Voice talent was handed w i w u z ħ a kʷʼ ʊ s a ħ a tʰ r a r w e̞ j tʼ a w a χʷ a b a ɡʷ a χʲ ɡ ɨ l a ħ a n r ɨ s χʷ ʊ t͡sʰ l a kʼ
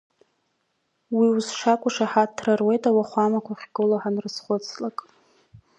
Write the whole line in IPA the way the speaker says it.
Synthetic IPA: w i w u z ʂ a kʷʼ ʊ ʂ a ħ a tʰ r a r w e̞ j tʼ a w a χʷ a m a kʷ a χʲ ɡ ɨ l a ħ a n r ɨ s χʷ ʊ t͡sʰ l a kʼ